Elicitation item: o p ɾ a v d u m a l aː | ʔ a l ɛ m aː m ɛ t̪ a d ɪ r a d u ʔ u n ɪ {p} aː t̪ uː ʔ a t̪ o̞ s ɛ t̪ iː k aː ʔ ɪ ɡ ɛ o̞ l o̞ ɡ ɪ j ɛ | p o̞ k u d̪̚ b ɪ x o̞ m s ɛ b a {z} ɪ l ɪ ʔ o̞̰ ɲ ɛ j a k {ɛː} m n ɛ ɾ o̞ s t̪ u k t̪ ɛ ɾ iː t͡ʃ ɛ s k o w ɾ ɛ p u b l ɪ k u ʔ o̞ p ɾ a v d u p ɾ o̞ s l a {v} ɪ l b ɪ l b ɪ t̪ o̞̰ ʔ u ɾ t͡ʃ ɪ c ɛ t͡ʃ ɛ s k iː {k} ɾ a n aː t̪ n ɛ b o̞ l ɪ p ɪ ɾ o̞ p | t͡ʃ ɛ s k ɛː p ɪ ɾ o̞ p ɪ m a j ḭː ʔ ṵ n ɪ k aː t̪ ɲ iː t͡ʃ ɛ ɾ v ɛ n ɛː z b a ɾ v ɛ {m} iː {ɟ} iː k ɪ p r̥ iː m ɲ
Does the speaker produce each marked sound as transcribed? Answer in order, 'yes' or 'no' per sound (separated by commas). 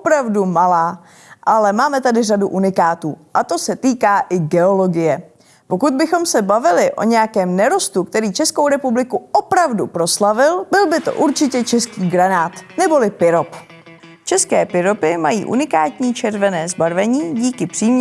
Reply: no, no, yes, yes, no, no, yes